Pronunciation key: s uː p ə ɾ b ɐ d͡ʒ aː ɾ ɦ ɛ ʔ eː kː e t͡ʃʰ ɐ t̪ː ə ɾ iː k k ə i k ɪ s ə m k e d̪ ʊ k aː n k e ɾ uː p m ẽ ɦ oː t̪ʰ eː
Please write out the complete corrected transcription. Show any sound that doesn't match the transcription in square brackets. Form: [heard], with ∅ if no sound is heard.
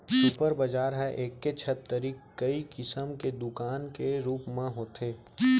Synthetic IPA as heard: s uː p ə ɾ b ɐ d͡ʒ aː ɾ ɦ ɛ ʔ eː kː e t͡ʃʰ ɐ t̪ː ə ɾ iː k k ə i k ɪ s ə m k e d̪ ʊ k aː n k e ɾ uː p m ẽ ɦ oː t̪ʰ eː